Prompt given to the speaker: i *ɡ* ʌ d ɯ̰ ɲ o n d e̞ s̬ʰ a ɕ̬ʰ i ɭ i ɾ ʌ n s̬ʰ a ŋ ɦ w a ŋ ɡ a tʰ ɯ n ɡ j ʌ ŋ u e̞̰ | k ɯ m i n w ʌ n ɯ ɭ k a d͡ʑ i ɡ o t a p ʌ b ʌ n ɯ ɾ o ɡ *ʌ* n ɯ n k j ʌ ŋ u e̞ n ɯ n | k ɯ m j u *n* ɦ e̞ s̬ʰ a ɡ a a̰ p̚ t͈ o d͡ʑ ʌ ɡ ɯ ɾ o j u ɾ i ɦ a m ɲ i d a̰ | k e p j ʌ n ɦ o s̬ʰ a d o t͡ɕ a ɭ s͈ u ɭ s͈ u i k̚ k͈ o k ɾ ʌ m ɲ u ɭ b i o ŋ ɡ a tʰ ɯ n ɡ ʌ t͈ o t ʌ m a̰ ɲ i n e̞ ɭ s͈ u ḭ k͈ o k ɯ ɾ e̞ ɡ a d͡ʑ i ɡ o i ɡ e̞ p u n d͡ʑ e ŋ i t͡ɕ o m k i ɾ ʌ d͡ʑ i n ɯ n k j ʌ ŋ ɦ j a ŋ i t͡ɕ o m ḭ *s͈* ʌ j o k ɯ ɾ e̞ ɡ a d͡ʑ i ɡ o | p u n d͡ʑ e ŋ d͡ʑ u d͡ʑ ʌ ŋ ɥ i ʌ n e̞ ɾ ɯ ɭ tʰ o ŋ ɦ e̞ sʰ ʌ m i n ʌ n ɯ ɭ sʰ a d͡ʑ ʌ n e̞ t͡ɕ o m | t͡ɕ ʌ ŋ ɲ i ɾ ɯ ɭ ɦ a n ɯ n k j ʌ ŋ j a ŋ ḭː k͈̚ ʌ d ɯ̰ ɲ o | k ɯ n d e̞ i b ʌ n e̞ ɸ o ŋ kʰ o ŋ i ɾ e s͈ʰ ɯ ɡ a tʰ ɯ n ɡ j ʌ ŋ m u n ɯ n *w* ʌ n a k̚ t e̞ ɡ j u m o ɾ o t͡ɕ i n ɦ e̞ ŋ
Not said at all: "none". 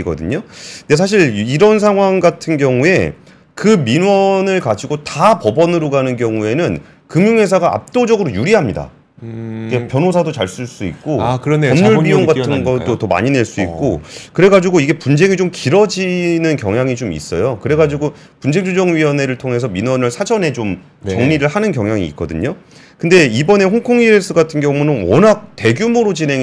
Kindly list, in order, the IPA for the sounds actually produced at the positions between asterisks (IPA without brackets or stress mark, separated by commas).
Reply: ɡ, a, ŋ, s͈, w